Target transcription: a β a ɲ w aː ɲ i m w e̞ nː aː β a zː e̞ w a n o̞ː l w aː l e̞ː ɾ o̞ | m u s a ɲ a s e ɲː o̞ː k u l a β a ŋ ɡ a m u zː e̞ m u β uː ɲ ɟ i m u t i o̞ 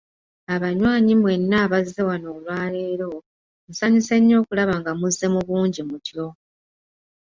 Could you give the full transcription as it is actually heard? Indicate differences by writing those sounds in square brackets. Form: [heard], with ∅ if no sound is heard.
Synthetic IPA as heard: a β a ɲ w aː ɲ i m w e̞ nː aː β a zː e̞ w a n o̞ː l w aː l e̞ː ɾ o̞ | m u s a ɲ [i] s e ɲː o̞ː k u l a β a ŋ ɡ a m u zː e̞ m u β uː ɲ ɟ i m u t [j] o̞